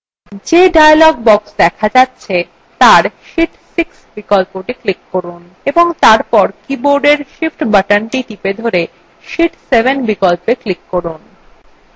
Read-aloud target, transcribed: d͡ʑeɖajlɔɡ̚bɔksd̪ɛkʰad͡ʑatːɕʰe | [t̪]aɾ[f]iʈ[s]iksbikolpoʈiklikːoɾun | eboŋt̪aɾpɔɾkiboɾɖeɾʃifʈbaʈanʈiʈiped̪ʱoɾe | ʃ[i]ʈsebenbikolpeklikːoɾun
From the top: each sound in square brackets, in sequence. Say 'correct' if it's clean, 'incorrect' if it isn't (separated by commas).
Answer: correct, incorrect, correct, correct